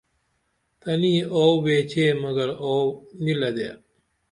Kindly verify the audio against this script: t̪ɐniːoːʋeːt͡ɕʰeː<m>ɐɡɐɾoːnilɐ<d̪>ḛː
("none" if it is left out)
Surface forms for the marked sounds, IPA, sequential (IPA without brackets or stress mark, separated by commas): m, d̪